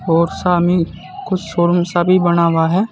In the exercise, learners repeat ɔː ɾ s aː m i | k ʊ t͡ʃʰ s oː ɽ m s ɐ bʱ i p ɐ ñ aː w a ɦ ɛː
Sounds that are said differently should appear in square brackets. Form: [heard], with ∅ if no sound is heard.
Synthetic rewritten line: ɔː ɾ s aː m i | k ʊ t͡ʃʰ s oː [ɾ] m s [a] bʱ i [b] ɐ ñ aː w a ɦ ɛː

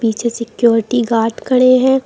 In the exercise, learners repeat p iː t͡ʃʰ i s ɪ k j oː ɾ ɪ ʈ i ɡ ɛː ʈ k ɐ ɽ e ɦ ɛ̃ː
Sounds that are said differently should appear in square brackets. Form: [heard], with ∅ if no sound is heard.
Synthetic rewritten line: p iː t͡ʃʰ [e] s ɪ k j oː ɾ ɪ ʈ i ɡ [aː] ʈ k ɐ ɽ e ɦ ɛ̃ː

